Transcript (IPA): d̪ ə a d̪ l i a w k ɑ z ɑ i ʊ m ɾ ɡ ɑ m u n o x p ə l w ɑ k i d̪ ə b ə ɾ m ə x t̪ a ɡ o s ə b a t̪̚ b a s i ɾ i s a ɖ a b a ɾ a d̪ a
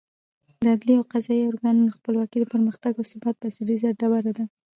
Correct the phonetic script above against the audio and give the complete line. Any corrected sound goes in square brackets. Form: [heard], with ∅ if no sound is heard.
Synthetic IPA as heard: d̪ ə a d̪ l i a w [q] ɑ z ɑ i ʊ [∅] ɾ ɡ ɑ [n] u n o x p ə l w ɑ k i d̪ ə [p] ə ɾ m ə x t̪ a ɡ o s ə b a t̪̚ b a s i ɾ i [z] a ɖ a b a ɾ a d̪ a